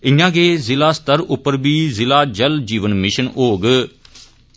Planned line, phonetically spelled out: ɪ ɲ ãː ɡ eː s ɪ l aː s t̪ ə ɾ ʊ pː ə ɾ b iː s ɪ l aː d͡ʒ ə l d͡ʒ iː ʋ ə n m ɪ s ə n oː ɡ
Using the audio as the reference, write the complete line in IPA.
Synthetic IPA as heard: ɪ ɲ ãː ɡ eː z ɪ l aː s t̪ ə ɾ ʊ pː ə ɾ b iː z ɪ l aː d͡ʒ ə l d͡ʒ iː ʋ ə n m ɪ ʃ ə n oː ɡ